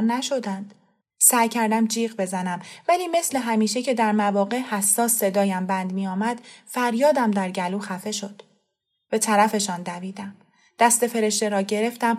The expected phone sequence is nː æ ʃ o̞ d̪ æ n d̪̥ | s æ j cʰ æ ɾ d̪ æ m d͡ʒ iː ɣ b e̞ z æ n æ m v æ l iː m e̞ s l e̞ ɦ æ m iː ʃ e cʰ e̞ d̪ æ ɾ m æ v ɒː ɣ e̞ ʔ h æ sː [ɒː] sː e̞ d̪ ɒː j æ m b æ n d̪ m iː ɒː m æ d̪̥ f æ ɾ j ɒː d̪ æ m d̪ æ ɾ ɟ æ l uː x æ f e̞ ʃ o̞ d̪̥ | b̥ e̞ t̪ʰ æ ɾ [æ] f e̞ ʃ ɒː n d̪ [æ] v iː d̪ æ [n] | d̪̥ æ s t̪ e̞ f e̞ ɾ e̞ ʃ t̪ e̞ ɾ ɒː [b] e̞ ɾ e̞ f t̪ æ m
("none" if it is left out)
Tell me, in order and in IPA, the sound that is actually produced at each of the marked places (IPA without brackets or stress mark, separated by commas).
ɒː, æ, æ, m, ɟ